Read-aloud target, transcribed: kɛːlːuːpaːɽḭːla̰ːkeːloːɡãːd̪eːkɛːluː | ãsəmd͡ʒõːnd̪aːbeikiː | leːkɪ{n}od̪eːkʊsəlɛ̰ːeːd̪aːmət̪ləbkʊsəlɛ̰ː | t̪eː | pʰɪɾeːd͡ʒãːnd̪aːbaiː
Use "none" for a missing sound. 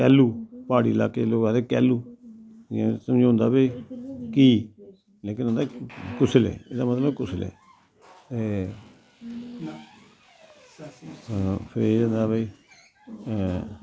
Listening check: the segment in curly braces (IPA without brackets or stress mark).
n